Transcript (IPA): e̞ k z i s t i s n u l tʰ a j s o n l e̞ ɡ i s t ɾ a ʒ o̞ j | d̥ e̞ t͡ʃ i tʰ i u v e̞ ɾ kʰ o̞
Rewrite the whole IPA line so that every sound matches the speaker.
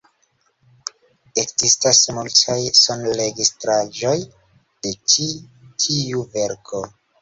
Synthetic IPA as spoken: e̞ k z i s t a s m u l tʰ a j s o n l e̞ ɡ i s t ɾ a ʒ o̞ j | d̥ e̞ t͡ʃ i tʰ i u v e̞ ɾ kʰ o̞